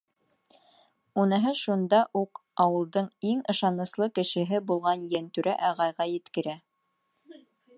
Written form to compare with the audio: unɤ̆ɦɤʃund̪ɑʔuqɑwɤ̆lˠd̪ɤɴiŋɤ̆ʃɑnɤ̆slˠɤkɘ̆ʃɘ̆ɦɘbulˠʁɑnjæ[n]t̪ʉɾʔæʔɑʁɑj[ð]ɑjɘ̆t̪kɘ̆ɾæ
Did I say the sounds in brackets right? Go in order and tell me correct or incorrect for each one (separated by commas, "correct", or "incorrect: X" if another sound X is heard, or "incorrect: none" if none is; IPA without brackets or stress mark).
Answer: correct, incorrect: ʁ